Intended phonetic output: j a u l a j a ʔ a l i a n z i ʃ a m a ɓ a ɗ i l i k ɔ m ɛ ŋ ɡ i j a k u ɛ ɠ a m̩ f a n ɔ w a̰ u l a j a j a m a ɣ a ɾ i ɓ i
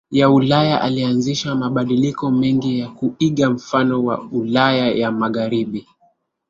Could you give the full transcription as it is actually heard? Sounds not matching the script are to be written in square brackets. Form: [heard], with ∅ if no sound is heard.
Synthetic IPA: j a u l a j a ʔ a l i a n z i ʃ a m a ɓ a ɗ i l i k ɔ m ɛ ŋ ɡ i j a k u [i] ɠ a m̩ f a n ɔ w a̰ u l a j a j a m a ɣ a ɾ i ɓ i